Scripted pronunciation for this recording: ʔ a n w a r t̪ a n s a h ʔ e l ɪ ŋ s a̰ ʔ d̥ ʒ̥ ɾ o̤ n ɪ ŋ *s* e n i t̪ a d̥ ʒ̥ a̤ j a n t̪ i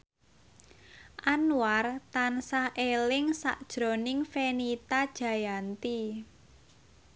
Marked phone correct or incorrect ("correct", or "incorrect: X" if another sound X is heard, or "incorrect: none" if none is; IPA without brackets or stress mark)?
incorrect: f